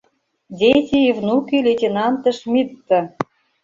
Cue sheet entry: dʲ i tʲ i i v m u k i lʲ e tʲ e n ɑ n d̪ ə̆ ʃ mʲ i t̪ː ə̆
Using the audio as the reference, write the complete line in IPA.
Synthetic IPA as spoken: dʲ e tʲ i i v n u k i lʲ e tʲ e n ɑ n t̪ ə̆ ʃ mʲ i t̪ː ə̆